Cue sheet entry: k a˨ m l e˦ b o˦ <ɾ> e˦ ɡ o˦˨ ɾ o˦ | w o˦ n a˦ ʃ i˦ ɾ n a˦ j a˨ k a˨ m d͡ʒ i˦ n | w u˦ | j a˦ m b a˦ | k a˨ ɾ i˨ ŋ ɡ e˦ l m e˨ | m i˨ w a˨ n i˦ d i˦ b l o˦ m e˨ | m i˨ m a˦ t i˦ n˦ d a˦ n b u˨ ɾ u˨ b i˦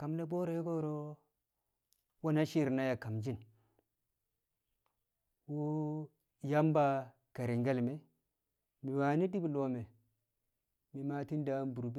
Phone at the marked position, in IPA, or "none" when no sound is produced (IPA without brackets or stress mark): ɾ